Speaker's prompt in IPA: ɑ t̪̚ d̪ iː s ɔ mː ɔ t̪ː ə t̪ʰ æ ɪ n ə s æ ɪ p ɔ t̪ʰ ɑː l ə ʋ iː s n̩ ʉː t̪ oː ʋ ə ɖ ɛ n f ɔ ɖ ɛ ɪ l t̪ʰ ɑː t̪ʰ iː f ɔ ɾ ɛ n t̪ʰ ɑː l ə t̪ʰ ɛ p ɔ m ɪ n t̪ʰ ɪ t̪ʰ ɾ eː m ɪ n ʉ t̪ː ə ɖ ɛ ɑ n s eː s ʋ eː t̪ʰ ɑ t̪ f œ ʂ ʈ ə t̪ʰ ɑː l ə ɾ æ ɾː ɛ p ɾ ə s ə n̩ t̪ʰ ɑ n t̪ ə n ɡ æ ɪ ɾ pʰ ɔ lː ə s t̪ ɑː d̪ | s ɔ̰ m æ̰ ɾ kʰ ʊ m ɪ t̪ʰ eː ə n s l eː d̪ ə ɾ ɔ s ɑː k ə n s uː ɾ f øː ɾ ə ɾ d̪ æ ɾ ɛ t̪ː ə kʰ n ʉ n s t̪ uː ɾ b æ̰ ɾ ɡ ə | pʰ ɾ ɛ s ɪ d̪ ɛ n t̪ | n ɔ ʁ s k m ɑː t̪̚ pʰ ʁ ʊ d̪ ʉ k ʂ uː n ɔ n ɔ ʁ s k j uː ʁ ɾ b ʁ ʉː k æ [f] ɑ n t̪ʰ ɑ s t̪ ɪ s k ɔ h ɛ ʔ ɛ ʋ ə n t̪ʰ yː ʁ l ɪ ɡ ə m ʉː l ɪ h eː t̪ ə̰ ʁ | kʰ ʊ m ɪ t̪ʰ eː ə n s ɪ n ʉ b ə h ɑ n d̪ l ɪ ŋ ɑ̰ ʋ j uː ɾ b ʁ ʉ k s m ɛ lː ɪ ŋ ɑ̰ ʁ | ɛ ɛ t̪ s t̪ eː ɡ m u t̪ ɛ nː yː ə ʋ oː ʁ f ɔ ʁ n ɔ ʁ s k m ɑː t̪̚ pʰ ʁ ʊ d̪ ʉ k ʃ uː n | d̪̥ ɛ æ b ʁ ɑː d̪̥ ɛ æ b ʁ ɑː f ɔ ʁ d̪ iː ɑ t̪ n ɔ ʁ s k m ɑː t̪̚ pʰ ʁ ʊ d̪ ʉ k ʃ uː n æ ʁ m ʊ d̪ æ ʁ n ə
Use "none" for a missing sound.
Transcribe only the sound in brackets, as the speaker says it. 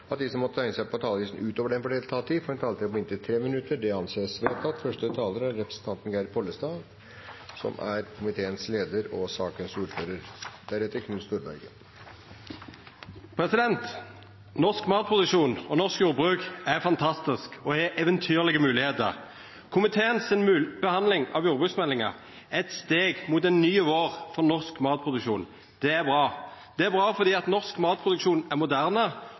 f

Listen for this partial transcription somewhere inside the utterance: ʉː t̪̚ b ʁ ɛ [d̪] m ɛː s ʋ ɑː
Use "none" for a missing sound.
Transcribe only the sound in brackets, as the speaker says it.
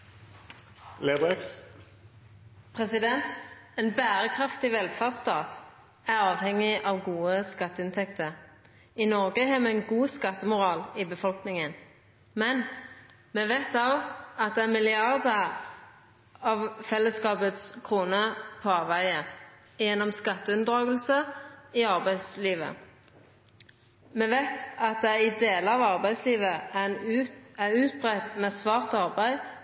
t̪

